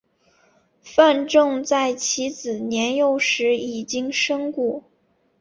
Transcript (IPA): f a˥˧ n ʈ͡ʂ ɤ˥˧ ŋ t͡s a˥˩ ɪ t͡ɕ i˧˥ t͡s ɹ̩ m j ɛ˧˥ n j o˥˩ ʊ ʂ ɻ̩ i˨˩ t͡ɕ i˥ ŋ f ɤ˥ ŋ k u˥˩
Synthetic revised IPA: f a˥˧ n ʈ͡ʂ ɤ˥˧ ŋ t͡s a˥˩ ɪ t͡ɕʰ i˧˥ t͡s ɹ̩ n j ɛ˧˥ n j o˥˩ ʊ ʂ ɻ̩ i˨˩ t͡ɕ i˥ ŋ ʂ ɤ˥ ŋ k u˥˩